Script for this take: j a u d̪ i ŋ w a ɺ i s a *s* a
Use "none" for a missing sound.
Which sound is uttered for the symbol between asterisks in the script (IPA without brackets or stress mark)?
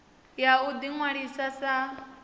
s